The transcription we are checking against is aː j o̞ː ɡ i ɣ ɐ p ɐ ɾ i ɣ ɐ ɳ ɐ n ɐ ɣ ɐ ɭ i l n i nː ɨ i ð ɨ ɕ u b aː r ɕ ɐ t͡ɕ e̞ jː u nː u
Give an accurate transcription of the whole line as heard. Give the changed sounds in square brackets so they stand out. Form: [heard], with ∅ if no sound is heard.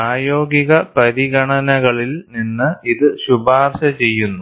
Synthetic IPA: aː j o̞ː ɡ i ɣ ɐ p ɐ ɾ i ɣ ɐ ɳ ɐ n ɐ ɣ ɐ ɭ i l n i nː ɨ i ð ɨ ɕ u b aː r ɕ ɐ t͡ɕ e̞ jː u nː u